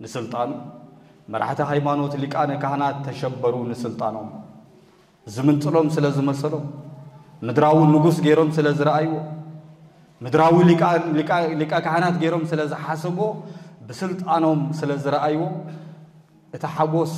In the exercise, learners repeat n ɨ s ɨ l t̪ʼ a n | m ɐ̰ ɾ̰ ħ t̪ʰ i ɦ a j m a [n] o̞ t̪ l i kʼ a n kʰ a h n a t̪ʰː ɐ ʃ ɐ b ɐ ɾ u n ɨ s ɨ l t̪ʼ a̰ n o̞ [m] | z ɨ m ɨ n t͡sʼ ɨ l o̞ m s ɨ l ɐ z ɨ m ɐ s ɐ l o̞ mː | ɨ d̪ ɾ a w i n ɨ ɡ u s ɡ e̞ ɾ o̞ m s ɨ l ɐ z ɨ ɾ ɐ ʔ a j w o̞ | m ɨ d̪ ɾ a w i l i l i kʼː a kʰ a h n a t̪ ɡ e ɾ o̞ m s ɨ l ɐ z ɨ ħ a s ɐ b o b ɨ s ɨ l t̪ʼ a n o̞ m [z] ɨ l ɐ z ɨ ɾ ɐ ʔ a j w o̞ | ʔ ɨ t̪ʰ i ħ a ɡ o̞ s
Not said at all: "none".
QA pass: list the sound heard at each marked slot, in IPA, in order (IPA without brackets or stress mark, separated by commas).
n, m, s